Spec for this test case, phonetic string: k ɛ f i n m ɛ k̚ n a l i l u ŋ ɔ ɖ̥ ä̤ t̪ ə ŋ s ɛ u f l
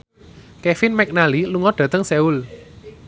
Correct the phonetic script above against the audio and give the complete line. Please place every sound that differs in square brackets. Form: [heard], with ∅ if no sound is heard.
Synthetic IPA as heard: k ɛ f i n m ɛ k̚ n a l i l u ŋ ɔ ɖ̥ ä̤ t̪ ə ŋ s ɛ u [∅] l